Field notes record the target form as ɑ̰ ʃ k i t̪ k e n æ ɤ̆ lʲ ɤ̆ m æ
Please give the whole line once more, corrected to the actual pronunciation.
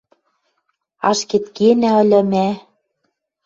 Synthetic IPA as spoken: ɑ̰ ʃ k e t̪ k e n æ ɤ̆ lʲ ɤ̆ m æ

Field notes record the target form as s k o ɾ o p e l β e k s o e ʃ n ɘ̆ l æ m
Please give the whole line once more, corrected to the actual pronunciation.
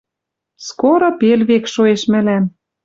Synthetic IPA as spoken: s k o ɾ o p e l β e k ʃ o e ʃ m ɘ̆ l æ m

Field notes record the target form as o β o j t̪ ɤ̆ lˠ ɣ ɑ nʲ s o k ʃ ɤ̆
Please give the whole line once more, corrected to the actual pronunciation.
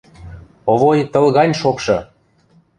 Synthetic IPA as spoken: o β o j t̪ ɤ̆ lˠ ɣ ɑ nʲ ʃ o k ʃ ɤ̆

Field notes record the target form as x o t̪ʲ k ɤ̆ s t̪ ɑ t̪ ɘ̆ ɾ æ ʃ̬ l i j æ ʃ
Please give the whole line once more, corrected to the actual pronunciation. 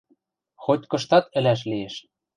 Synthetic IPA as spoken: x o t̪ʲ k ɤ̆ ʃ t̪ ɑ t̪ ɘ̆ l æ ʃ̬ l i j e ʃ

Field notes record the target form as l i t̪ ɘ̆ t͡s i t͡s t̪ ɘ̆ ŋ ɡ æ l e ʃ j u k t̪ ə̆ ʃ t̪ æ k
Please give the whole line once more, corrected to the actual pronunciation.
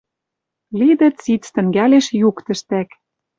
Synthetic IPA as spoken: l i d̪ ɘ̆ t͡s i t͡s t̪ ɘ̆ ŋ ɡ æ l e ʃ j u k t̪ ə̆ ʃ t̪ æ k

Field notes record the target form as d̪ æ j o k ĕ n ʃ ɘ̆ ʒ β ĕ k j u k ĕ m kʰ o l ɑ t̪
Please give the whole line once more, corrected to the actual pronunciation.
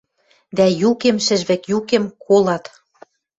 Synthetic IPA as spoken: d̪ æ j u k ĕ m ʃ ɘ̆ ʒ β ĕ k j u k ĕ m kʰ o l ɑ t̪

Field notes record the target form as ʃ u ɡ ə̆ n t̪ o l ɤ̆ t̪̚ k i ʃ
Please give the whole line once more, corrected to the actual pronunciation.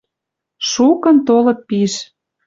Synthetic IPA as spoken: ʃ u k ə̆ n t̪ o l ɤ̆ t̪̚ p i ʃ

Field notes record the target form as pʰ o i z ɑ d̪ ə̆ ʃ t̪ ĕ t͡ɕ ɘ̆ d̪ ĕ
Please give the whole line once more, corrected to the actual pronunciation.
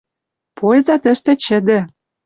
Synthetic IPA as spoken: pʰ o j z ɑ t̪ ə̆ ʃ t̪ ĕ t͡ɕ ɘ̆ d̪ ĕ

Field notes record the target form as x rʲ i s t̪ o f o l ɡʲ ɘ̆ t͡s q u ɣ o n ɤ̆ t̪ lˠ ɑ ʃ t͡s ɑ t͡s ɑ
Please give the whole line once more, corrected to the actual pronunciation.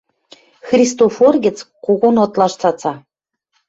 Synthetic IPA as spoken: x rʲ i s t̪ o f o r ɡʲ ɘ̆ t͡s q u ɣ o n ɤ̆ t̪ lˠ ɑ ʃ t͡s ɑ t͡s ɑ

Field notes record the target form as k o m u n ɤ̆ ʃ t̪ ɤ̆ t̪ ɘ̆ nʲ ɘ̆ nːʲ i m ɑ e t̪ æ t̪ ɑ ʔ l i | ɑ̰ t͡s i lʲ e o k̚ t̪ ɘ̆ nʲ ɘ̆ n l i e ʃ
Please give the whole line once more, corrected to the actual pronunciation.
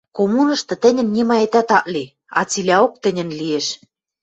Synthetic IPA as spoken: k o m u n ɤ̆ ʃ t̪ ɤ̆ t̪ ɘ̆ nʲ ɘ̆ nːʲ i m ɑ e t̪ æ t̪ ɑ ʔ l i | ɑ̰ t͡s i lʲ æ o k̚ t̪ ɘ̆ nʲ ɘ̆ n l i e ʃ

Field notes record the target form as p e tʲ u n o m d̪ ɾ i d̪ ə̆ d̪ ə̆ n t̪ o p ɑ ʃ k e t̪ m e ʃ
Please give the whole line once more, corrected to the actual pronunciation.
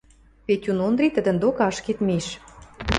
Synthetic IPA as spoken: p e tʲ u n o n d̪ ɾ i t̪ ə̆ d̪ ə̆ n d̪ o k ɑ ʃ k e t̪ m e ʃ

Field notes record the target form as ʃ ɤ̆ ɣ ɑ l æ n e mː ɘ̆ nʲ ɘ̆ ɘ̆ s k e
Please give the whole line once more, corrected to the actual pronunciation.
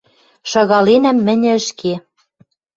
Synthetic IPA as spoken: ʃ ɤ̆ ɣ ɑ l e n æ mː ɘ̆ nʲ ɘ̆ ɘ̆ ʃ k e

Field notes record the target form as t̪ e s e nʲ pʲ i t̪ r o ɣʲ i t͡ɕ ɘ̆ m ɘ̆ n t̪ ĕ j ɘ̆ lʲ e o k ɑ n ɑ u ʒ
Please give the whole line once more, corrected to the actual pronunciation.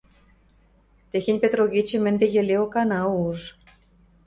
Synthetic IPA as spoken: t̪ e x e nʲ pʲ e t̪ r o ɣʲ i t͡ɕ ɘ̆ m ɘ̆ n d̪ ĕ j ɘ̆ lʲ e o k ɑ n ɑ u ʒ

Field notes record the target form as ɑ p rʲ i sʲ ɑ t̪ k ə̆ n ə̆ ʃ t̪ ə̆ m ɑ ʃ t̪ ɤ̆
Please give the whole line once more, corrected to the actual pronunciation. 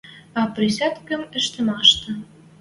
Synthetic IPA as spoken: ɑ p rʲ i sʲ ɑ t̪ k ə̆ m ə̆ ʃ t̪ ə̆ m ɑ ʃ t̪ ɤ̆

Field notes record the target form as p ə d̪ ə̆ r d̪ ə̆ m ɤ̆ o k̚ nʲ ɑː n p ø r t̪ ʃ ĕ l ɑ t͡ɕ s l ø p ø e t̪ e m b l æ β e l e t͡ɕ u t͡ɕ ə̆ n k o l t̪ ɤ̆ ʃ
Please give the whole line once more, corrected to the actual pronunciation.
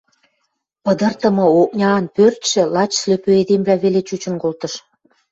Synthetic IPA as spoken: p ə d̪ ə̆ r t̪ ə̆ m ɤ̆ o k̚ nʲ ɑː n p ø r t̪ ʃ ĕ l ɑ t͡ɕ s l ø p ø e d̪ e m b l æ β e l e t͡ɕ u t͡ɕ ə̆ n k o l t̪ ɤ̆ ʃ

